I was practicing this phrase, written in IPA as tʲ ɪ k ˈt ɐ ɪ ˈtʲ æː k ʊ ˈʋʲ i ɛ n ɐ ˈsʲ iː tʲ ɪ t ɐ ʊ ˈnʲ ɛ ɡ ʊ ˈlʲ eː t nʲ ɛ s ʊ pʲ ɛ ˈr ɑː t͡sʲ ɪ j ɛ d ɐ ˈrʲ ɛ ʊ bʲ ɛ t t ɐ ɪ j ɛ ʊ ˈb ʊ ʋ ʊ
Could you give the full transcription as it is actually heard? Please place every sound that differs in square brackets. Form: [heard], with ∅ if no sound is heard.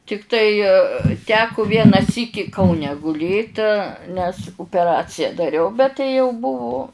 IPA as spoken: tʲ ɪ k ˈt ɐ ɪ ˈtʲ æː k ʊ ˈʋʲ i ɛ n ɐ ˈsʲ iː [kʲ] ɪ [k] ɐ ʊ ˈnʲ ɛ ɡ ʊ ˈlʲ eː t nʲ ɛ s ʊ pʲ ɛ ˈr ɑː t͡sʲ ɪ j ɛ d ɐ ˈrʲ ɛ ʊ bʲ ɛ t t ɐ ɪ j ɛ ʊ ˈb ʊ ʋ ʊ